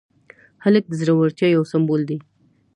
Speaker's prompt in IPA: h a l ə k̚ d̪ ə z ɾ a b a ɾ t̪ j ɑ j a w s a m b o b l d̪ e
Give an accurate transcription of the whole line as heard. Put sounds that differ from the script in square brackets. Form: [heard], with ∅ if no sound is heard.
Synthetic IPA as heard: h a l ə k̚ d̪ ə z ɾ a [w] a ɾ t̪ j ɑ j a w s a m b o [∅] l d̪ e